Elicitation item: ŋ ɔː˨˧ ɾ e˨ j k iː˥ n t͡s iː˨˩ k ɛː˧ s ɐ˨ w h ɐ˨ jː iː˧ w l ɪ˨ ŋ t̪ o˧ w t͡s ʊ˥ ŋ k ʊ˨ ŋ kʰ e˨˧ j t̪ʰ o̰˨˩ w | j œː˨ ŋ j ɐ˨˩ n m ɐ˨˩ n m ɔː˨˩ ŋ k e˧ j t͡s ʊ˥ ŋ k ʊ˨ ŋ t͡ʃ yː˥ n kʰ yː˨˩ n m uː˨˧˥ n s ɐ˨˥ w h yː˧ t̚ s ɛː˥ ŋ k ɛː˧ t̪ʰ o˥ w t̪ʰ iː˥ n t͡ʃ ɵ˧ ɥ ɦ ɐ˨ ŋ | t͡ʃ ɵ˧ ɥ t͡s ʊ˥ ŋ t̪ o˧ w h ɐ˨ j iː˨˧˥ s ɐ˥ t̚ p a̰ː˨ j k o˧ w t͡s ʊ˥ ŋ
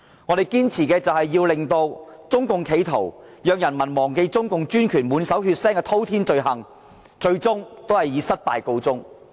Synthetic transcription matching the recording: ŋ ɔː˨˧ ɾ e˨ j k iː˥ n t͡sʰ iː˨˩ k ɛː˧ t͡s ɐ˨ w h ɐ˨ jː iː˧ w l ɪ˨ ŋ t̪ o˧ w t͡s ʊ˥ ŋ k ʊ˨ ŋ kʰ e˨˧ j t̪ʰ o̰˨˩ w | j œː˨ ŋ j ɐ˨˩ n m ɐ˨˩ n m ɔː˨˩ ŋ k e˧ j t͡s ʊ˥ ŋ k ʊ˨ ŋ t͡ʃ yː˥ n kʰ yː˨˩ n m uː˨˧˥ n s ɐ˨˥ w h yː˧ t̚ s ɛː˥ ŋ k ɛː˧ t̪ʰ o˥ w t̪ʰ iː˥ n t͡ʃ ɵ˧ ɥ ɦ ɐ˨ ŋ | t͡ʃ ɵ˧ ɥ t͡s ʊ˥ ŋ t̪ o˥ w h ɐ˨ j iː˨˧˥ s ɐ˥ t̚ p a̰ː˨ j k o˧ w t͡s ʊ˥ ŋ